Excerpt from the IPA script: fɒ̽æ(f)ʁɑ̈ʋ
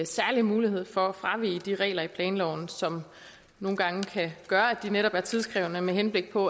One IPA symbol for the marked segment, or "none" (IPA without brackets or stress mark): f